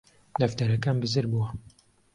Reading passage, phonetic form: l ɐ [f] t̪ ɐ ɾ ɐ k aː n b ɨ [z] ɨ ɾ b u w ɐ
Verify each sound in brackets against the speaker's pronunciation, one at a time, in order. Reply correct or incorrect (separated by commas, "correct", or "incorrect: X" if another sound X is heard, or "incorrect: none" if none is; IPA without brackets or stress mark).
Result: correct, correct